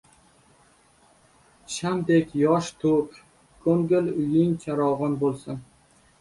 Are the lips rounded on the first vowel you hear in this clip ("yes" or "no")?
no